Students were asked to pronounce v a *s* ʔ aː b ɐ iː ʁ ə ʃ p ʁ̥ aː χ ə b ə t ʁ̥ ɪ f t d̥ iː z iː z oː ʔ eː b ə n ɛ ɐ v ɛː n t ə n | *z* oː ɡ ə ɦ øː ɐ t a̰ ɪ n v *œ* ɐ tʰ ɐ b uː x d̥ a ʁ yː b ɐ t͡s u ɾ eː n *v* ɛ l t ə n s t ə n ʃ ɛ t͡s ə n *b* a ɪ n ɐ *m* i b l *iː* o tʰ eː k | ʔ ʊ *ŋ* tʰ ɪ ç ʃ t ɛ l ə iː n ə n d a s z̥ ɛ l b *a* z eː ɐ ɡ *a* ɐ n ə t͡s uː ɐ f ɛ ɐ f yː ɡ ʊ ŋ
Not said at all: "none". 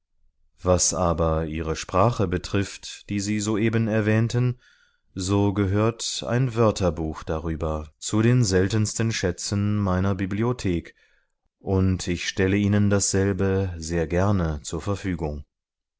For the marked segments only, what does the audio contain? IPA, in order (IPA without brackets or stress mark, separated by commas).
s, z, œ, z, m, b, i, n, ə, ɛ